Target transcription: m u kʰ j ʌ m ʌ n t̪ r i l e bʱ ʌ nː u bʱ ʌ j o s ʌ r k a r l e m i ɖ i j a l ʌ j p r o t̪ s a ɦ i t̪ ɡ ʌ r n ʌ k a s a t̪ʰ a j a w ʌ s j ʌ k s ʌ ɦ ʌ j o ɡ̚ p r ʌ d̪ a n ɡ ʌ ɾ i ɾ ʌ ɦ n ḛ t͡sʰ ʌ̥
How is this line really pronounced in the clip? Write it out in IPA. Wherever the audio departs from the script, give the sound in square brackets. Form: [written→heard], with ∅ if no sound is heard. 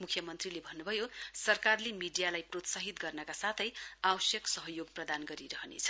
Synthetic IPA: m u kʰ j ʌ m ʌ n t̪ r i l e bʱ ʌ nː u bʱ ʌ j o s ʌ r k a r l e m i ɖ i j a l [ʌ→a] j p r o t̪ s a ɦ i t̪ ɡ ʌ r n ʌ k a s a t̪ʰ [a→ʌ] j a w ʌ s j ʌ k s ʌ ɦ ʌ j o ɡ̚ p r ʌ d̪ a n ɡ ʌ ɾ i ɾ ʌ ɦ n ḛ t͡sʰ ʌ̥